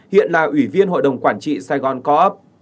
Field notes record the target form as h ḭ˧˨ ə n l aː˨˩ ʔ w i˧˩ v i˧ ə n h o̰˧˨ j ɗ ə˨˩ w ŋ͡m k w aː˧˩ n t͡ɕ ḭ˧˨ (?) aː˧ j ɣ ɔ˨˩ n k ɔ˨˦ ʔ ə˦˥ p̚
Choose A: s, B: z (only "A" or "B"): A